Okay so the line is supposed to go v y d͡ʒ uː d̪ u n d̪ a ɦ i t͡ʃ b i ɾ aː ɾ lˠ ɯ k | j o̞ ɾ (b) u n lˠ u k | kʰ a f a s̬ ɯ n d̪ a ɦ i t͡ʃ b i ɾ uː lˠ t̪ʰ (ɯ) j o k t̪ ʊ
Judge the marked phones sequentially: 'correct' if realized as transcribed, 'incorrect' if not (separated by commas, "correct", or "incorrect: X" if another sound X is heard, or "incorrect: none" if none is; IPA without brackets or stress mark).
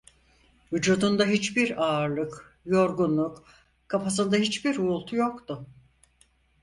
incorrect: ɡ, incorrect: u